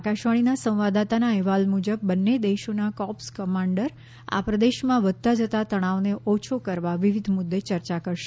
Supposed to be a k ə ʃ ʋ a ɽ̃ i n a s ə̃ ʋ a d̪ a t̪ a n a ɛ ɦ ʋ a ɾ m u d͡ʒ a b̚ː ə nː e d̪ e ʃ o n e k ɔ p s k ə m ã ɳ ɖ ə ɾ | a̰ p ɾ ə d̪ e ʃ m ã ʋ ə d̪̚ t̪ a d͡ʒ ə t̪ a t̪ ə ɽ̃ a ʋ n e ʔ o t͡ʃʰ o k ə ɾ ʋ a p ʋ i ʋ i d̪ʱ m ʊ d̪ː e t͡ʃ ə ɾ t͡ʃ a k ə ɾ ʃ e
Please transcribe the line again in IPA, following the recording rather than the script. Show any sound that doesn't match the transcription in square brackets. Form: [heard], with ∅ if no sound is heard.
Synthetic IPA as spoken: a k [a] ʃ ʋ a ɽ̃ i n a s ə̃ ʋ a d̪ a t̪ a n a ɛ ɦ ʋ a [l] m u d͡ʒ [ə] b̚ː ə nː e d̪ e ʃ o n [a] k ɔ p s k ə m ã ɳ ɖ ə ɾ | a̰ p ɾ ə d̪ e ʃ m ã ʋ ə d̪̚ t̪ a d͡ʒ ə t̪ a t̪ ə ɽ̃ a ʋ n e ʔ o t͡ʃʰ o k ə ɾ ʋ a [∅] ʋ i ʋ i d̪ʱ m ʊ d̪ː e t͡ʃ ə ɾ t͡ʃ a k ə ɾ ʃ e